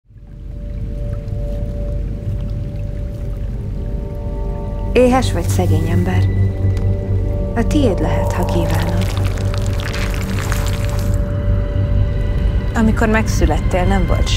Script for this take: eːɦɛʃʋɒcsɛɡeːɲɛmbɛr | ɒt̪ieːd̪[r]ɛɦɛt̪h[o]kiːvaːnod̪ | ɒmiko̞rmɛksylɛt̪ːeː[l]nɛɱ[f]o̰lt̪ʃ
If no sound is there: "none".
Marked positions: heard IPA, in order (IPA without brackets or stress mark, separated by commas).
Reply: l, ɒ, l, v